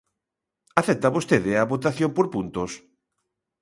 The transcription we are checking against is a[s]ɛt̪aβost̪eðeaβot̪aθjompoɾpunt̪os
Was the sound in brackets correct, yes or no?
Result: no